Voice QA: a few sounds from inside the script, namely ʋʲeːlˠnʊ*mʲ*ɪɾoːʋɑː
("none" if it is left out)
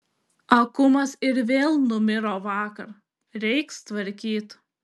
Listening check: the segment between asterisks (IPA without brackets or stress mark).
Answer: mʲ